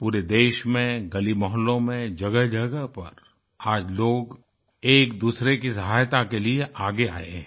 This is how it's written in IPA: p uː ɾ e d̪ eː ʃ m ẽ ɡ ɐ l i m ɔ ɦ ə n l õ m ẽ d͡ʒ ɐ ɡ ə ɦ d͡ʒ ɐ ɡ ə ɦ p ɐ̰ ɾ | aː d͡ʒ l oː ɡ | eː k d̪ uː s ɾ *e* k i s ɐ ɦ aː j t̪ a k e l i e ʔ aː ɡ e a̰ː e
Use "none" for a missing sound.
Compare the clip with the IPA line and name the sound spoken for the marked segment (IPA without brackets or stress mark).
e